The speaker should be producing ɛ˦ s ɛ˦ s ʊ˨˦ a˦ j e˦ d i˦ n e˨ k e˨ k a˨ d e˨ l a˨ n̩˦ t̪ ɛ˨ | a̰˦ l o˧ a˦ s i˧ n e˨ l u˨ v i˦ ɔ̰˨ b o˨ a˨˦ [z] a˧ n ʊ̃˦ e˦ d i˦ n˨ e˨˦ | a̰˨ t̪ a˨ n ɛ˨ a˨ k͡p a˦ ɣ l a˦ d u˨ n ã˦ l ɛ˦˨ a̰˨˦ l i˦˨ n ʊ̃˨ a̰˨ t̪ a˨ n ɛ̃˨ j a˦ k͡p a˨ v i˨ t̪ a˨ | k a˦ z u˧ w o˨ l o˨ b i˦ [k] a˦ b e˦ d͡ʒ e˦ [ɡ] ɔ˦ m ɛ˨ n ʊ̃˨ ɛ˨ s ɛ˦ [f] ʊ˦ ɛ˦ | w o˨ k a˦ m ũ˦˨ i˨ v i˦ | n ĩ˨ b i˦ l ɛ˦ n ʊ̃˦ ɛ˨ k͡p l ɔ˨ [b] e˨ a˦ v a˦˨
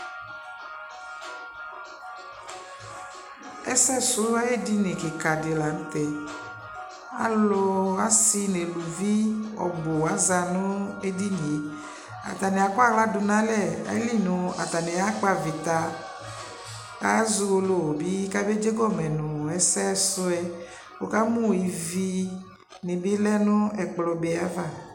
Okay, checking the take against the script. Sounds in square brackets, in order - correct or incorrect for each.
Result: correct, correct, correct, incorrect: s, correct

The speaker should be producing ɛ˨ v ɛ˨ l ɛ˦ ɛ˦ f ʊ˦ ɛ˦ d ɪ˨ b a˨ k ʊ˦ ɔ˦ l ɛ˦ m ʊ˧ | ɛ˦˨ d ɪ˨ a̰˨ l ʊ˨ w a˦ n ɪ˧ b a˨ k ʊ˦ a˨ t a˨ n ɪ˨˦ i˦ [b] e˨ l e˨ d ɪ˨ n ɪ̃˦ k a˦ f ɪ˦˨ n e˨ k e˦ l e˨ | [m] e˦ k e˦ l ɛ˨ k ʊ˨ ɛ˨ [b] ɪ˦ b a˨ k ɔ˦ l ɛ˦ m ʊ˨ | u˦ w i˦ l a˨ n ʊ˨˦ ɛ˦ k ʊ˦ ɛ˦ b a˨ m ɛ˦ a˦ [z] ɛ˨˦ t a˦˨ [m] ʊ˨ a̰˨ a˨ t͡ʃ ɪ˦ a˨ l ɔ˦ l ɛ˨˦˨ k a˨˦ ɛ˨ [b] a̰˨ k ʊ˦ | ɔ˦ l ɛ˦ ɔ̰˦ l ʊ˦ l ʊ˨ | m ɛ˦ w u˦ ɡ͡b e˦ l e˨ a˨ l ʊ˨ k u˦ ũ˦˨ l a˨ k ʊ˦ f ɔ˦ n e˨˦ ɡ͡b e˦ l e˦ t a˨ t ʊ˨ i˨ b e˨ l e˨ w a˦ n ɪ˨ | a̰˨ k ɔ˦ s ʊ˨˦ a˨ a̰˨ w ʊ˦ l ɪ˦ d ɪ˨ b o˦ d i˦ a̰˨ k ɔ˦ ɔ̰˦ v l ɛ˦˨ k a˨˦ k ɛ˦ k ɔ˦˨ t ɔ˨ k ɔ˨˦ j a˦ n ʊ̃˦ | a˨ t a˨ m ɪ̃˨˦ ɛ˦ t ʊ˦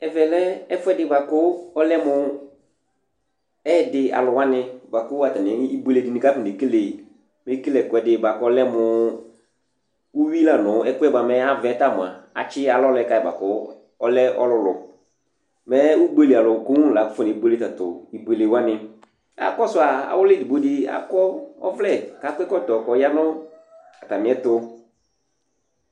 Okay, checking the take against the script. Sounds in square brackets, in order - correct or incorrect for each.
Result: correct, correct, incorrect: d, incorrect: v, correct, correct

